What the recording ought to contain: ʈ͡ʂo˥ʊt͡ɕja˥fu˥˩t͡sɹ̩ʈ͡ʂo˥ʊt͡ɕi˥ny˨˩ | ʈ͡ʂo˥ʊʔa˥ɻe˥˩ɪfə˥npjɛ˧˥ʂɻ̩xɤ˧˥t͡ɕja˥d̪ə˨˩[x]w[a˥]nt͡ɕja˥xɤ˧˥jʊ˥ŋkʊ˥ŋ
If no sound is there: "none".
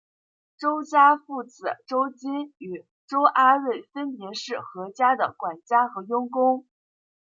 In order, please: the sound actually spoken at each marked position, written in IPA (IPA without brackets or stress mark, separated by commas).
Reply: k, a˨˩